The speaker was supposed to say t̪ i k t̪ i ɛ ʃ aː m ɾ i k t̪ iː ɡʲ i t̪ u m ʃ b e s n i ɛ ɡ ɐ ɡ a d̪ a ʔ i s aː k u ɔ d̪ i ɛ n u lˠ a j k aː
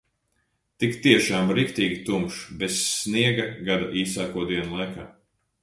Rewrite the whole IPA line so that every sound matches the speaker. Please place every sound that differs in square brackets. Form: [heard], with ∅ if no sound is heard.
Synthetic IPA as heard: t̪ i k t̪ i ɛ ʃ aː m ɾ i k t̪ iː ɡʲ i t̪ u m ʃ b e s n i ɛ ɡ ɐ ɡ a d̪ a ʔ [iː] s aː k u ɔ d̪ i ɛ n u lˠ a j k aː